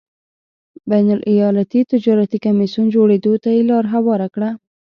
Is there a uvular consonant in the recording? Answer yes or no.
no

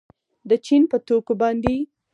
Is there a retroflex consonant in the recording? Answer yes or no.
no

